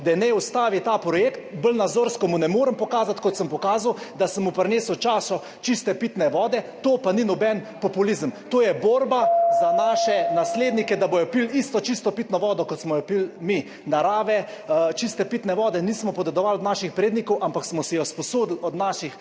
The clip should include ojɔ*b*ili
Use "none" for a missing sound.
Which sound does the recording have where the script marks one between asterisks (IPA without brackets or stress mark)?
p